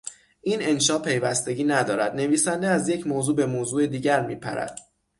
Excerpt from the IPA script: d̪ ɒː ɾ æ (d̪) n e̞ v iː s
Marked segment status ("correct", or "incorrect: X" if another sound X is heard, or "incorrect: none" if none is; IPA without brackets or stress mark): correct